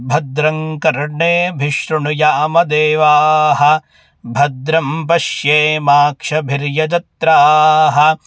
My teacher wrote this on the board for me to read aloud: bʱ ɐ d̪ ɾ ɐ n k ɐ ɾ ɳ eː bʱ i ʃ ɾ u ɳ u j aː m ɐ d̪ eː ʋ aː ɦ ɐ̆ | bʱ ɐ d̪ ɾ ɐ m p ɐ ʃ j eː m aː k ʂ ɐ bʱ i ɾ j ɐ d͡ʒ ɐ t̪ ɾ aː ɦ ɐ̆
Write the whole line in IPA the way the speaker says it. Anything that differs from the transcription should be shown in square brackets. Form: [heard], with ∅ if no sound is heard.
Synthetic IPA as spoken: bʱ ɐ d̪ ɾ ɐ [ŋ] k ɐ ɾ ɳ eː bʱ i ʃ ɾ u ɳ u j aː m ɐ d̪ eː ʋ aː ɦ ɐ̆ | bʱ ɐ d̪ ɾ ɐ m p ɐ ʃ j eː m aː k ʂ ɐ bʱ i ɾ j ɐ d͡ʒ ɐ t̪ ɾ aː ɦ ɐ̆

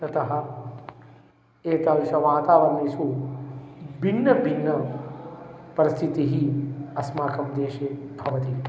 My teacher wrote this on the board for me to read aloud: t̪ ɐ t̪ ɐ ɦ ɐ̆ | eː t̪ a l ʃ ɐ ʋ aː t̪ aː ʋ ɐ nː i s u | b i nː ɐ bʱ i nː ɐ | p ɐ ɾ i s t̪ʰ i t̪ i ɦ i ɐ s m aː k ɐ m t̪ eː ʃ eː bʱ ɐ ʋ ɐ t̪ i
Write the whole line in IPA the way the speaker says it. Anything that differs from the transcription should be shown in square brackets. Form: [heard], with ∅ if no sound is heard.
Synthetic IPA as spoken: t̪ ɐ t̪ ɐ ɦ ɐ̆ | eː t̪ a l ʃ ɐ ʋ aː t̪ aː ʋ ɐ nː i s u | b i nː ɐ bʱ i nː ɐ | p ɐ ɾ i s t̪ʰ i t̪ i ɦ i ɐ s m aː k ɐ m [d̪] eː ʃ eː bʱ ɐ ʋ ɐ t̪ i

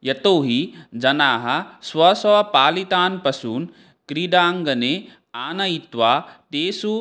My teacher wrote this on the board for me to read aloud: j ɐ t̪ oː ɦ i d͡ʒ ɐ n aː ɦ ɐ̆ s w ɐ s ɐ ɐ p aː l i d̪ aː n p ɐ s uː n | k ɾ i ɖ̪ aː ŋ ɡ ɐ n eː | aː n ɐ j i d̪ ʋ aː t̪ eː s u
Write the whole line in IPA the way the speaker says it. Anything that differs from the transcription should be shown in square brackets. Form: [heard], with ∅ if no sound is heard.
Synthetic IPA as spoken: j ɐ t̪ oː ɦ i d͡ʒ ɐ n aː ɦ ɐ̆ s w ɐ s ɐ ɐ p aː l i [t̪] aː n p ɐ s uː n | k ɾ i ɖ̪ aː ŋ ɡ ɐ n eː | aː n ɐ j i [t̪] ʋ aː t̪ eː s u

